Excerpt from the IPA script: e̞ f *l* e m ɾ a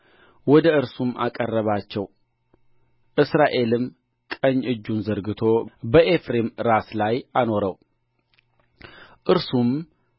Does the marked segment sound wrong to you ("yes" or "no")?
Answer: yes